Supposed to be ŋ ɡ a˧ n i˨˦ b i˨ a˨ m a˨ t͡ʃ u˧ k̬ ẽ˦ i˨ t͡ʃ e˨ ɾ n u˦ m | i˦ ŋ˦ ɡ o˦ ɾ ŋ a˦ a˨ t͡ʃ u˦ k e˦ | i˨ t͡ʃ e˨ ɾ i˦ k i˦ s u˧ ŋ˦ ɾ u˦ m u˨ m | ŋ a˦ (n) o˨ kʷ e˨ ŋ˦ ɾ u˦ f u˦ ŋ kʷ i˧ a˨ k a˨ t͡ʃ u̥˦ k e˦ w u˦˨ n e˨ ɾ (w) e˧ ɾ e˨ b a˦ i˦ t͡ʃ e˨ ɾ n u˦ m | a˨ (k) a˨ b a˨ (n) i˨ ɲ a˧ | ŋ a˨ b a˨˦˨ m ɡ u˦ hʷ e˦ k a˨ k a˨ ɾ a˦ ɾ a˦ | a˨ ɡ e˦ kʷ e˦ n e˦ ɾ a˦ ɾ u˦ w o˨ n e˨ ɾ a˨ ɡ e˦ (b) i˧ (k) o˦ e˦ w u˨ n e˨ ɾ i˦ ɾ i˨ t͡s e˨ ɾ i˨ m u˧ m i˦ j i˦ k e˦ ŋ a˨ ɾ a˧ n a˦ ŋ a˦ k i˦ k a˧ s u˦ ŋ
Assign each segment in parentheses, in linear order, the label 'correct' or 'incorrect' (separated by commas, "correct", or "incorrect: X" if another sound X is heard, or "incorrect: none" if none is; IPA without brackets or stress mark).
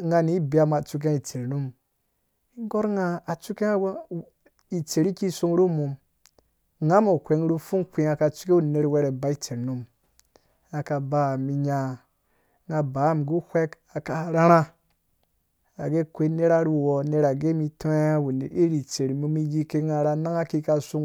incorrect: m, correct, correct, incorrect: m, incorrect: m, incorrect: t